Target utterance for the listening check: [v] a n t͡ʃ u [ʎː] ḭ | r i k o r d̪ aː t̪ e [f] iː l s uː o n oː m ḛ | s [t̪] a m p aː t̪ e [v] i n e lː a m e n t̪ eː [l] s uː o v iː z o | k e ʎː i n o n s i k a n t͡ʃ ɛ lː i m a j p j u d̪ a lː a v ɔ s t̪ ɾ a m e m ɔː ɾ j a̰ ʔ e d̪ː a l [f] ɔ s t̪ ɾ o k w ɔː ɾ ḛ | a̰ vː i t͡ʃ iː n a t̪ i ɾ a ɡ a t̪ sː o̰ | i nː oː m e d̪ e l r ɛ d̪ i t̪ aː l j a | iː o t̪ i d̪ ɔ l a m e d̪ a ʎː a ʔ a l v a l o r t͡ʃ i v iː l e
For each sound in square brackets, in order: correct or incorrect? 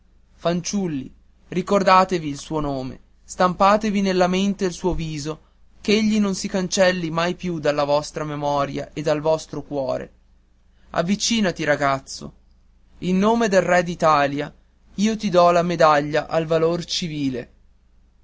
incorrect: f, incorrect: lː, incorrect: v, correct, correct, correct, incorrect: v

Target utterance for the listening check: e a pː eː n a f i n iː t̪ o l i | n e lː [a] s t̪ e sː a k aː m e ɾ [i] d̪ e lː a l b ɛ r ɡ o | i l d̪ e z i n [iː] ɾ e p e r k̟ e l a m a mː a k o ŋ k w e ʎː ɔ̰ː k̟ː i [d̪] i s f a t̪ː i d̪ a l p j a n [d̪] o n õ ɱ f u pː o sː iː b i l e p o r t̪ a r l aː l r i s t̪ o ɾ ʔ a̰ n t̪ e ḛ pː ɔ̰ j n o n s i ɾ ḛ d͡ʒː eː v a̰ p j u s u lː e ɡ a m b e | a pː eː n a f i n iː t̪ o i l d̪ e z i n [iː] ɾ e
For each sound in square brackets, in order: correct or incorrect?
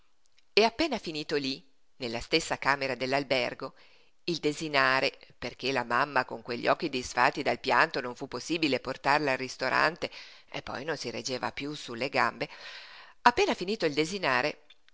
correct, incorrect: a, incorrect: aː, correct, incorrect: t̪, incorrect: aː

